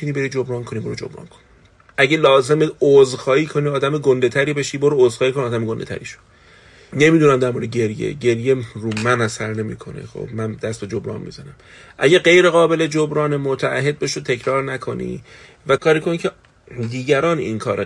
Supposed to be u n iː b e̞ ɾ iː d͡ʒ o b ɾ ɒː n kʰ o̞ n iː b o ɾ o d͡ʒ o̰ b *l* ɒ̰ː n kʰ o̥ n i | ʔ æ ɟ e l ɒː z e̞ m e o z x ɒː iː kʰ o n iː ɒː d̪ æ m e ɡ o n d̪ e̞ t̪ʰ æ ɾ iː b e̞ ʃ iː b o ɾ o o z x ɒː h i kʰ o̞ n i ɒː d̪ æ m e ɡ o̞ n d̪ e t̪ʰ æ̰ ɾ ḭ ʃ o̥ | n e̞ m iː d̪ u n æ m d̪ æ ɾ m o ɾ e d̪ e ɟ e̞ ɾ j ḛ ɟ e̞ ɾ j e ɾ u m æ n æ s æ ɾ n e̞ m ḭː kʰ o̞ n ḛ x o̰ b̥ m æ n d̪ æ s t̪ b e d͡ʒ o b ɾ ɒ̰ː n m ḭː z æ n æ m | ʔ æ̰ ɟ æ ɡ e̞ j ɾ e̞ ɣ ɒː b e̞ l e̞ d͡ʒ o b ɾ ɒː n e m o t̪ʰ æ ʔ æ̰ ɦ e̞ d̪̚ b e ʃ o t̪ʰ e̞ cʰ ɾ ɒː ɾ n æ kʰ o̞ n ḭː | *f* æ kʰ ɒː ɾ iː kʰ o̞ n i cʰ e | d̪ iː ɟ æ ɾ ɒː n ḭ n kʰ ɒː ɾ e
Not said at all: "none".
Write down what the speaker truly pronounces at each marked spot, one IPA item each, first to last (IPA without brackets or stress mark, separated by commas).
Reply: ɾ, v